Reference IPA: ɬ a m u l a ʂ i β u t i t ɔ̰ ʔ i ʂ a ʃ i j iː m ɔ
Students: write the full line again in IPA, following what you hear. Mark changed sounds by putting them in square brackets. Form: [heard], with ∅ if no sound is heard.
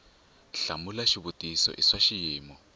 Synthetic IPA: ɬ a m u l a [ʃ] i β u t i [s] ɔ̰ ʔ i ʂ a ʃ i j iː m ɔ

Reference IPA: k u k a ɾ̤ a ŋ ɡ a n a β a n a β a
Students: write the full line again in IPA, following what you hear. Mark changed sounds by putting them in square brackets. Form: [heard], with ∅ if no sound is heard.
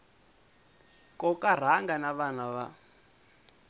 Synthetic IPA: k [ɔ] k a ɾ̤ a ŋ ɡ a n a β a n a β a

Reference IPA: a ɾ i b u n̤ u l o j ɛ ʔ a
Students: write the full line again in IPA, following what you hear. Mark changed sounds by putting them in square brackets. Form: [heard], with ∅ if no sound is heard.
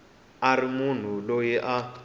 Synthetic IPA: a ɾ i [m] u n̤ u l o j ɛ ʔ a

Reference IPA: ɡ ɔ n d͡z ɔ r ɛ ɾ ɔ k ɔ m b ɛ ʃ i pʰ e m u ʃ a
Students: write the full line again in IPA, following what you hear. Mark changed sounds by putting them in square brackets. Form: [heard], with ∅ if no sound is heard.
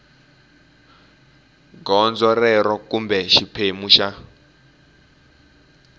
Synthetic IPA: ɡ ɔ n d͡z ɔ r ɛ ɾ ɔ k [u] m b ɛ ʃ i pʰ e m u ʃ a

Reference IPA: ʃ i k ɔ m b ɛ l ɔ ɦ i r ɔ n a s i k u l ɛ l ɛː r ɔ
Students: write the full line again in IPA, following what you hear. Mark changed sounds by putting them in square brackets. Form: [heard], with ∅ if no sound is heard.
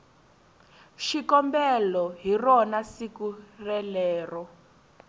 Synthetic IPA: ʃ i k ɔ m b ɛ l ɔ ɦ i r ɔ n a s i k u [r] ɛ l ɛː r ɔ

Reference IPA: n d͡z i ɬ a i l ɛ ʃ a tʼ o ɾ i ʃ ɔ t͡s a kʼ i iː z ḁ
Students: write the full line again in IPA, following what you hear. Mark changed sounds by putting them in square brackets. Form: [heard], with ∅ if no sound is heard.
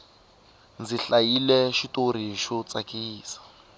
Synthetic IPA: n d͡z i ɬ a i l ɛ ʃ [i] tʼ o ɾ i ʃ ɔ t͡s a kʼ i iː [s] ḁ

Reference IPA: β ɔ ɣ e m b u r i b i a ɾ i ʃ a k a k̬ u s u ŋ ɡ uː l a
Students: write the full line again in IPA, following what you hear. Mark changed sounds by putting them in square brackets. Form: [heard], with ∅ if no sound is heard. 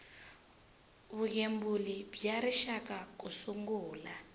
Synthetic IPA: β [u] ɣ e m b u [l] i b [j] a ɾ i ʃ a k a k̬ u s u ŋ ɡ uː l a

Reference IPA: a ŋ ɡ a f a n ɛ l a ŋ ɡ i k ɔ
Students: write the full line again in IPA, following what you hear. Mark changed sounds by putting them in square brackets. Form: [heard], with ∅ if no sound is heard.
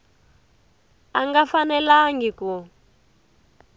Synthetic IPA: a ŋ ɡ a f a n ɛ l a ŋ ɡ i k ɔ

